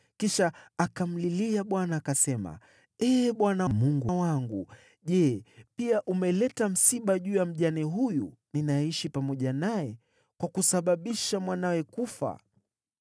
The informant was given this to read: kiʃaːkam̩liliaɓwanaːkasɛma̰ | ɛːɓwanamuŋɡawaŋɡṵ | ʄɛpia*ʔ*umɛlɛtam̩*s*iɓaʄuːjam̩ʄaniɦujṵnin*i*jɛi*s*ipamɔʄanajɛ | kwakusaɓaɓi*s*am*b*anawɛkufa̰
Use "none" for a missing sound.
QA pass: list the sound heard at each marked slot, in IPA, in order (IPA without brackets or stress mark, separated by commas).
ʔ, s, a, ʃ, ʃ, w